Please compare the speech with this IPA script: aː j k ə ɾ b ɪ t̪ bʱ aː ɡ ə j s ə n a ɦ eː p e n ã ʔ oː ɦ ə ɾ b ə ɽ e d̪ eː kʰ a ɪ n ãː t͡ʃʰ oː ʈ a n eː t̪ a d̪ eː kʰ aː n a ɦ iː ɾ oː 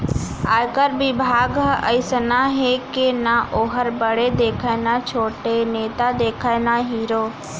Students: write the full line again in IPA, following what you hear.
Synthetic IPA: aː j k ə ɾ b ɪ bʱ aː ɡ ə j s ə n a ɦ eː k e n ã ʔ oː ɦ ə ɾ b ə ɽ e d̪ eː kʰ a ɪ n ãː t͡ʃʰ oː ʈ e n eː t̪ a d̪ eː kʰ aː n a ɦ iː ɾ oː